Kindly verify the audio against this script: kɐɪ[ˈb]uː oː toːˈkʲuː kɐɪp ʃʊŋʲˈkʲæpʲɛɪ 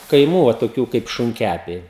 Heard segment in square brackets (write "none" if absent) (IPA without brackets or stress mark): m